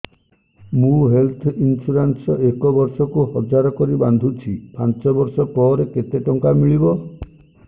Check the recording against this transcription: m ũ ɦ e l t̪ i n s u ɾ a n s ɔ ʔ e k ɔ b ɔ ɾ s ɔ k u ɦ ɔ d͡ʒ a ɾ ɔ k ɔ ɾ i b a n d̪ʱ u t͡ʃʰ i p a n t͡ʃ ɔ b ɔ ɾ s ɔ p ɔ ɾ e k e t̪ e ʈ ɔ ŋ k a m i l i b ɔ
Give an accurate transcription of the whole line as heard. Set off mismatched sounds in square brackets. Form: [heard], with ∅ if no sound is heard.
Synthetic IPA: m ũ ɦ e l [t̪ʰ] i n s u ɾ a n s ɔ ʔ e k ɔ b ɔ ɾ s ɔ k u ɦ ɔ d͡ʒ a ɾ ɔ k ɔ ɾ i b a n d̪ʱ u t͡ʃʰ i p a n t͡ʃ ɔ b ɔ ɾ s ɔ p ɔ ɾ e k e t̪ e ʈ ɔ ŋ k a m i [ɭ] i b ɔ